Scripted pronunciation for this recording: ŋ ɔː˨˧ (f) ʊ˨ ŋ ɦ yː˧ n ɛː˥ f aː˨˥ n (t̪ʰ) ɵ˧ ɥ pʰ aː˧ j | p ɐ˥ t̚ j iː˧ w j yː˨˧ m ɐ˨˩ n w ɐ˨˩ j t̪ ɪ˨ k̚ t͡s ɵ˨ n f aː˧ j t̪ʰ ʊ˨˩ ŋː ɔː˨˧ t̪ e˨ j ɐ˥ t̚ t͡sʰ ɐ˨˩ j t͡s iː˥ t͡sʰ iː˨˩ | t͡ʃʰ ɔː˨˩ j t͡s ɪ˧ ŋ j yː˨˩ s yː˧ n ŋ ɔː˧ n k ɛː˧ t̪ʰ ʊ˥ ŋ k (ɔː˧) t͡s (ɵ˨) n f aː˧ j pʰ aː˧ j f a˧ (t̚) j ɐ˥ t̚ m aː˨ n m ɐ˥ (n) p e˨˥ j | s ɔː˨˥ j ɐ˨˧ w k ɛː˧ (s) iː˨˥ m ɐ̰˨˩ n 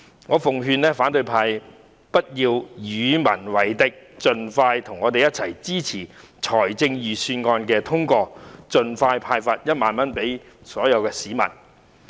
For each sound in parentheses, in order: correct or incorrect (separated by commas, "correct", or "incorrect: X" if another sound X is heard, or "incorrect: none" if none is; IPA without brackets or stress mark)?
correct, incorrect: t̪, correct, correct, correct, correct, correct